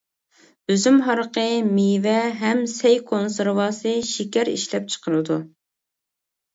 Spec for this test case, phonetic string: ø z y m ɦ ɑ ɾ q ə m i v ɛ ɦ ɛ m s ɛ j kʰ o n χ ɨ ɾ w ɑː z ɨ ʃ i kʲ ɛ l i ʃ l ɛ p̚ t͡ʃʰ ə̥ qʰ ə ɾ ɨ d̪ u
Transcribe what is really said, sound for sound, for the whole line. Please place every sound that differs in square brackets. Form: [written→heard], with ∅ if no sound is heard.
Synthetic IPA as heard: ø z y m ɦ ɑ ɾ q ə m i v ɛ ɦ ɛ m s ɛ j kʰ o n [χ→s] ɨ ɾ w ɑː [z→s] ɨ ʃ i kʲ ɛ [l→ɾ] i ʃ l ɛ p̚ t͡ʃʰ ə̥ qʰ ə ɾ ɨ d̪ u